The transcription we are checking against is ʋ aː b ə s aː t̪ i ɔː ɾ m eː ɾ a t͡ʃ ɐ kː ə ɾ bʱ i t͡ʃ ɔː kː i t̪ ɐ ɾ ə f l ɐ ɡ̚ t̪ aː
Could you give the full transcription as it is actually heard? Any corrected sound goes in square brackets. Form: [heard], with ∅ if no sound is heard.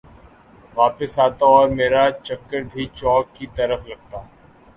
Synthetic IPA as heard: ʋ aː [p] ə s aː t̪ [a] ɔː ɾ m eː ɾ a t͡ʃ ɐ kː ə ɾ bʱ i t͡ʃ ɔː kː i t̪ ɐ ɾ ə f l ɐ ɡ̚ t̪ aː